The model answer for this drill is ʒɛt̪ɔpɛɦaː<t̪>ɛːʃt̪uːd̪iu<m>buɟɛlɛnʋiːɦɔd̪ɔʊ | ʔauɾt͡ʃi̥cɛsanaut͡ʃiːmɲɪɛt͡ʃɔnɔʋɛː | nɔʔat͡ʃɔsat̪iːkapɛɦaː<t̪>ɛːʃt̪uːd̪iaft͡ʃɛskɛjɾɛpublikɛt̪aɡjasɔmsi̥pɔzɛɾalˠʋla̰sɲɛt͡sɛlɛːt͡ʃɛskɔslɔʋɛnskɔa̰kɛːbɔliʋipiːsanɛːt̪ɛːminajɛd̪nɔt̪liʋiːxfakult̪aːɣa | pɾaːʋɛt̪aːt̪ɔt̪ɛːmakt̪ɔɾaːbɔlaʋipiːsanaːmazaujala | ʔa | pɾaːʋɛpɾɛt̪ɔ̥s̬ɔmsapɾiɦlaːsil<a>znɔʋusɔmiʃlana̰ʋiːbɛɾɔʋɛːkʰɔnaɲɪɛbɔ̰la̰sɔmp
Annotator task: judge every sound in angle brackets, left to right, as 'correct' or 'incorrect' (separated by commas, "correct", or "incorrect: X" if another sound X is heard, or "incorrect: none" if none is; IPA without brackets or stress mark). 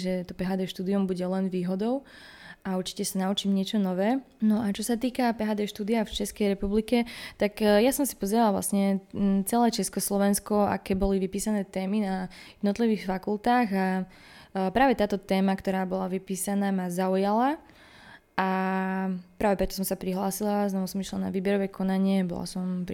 incorrect: d̪, correct, incorrect: d̪, correct